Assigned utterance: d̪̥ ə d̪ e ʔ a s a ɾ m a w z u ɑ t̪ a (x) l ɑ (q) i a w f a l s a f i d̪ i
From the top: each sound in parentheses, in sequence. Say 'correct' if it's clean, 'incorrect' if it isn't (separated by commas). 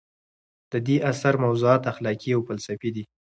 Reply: correct, incorrect